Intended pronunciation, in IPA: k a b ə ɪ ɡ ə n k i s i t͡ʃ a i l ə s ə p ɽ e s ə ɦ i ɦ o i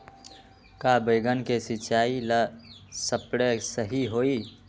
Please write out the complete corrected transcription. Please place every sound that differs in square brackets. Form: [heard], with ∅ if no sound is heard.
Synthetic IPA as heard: k a b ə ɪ ɡ ə n k [e] s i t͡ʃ a i l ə s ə p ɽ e s ə ɦ i ɦ o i